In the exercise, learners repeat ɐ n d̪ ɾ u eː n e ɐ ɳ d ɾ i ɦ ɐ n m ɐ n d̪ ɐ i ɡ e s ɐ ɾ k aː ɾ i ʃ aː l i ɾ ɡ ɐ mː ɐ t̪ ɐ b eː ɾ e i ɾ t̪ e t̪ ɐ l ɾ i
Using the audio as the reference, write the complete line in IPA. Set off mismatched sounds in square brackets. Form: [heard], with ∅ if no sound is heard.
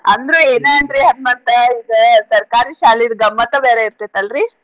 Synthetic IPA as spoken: ɐ n d̪ ɾ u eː n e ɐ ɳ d ɾ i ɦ ɐ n m ɐ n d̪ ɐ i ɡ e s ɐ ɾ k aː ɾ i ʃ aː l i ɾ ɡ ɐ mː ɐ t̪ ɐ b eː ɾ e i ɾ t̪ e t̪ ɐ l ɾ i